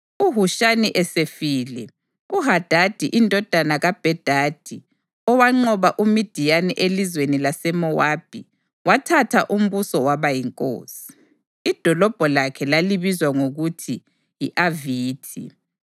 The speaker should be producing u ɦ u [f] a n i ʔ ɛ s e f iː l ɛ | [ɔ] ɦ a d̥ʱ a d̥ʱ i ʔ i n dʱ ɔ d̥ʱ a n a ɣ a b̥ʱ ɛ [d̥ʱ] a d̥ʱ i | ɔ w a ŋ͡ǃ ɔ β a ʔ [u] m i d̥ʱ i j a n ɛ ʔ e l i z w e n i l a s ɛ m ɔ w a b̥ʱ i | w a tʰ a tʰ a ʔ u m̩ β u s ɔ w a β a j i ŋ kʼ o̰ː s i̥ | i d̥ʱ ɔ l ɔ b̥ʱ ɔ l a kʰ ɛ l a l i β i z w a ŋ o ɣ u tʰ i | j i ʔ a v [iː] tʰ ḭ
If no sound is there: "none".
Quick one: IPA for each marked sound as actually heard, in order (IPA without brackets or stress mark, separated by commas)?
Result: ʃ, u, d̥ʱ, u, iː